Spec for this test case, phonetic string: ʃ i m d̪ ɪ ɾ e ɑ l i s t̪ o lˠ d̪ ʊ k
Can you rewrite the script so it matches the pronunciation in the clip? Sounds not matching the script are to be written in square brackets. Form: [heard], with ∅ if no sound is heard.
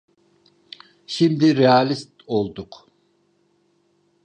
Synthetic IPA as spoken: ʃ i m d̪ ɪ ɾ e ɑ l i s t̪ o lˠ d̪ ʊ [q]